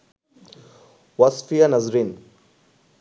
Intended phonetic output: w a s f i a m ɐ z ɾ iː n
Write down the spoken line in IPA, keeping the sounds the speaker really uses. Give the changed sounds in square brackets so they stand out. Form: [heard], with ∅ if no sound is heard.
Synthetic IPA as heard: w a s f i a [n] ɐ z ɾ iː n